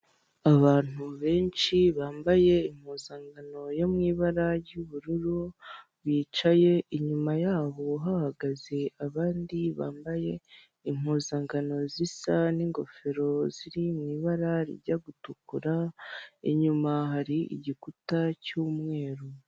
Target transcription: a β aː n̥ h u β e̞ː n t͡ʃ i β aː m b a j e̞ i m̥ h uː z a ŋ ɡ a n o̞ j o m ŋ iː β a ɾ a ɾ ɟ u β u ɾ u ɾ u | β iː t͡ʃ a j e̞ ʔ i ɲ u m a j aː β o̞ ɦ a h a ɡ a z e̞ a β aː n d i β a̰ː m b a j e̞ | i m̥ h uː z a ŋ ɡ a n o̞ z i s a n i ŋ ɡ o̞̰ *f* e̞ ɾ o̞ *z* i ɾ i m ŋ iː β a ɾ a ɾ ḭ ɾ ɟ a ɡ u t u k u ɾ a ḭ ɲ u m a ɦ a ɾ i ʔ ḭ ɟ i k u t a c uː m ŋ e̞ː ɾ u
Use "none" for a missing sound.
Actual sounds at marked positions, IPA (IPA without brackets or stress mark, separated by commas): f, z